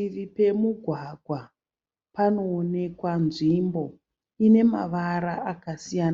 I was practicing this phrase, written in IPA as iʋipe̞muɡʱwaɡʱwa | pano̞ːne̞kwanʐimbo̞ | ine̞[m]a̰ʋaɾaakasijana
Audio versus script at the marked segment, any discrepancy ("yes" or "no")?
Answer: no